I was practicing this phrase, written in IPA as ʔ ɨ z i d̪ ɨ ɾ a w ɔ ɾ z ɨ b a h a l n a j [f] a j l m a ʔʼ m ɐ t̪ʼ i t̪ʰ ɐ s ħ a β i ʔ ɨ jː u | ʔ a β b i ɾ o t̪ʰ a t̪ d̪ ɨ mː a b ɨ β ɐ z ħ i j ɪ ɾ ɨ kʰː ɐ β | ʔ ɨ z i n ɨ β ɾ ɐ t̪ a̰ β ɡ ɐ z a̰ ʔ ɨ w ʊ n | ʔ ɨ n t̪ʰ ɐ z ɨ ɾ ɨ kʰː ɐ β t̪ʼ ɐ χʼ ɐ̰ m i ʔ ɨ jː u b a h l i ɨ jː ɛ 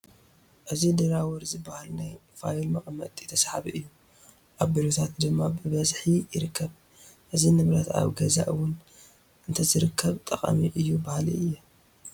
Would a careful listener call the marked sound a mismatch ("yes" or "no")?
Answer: no